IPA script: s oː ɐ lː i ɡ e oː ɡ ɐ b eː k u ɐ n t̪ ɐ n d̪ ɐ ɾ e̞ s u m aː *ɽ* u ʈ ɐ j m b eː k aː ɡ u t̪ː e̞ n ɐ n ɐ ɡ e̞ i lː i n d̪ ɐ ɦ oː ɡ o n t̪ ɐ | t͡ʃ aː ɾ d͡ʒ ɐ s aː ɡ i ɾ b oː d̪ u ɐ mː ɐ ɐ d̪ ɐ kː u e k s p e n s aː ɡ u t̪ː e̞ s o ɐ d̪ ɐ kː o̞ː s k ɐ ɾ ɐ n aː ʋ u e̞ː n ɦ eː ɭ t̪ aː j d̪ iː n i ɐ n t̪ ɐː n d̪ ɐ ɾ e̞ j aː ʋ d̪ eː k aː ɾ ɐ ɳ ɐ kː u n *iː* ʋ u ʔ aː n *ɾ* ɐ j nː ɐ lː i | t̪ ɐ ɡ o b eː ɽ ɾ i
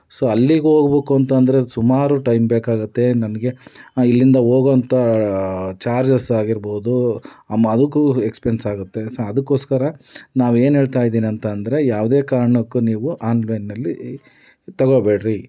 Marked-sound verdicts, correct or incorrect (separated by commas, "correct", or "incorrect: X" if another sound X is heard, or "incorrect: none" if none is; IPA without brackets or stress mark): incorrect: ɾ, correct, incorrect: l